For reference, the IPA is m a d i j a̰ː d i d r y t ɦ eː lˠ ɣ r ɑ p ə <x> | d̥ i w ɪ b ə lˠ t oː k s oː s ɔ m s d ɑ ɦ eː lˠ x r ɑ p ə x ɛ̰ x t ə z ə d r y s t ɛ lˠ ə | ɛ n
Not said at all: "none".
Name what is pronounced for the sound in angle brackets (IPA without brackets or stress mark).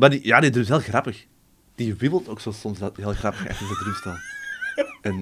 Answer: x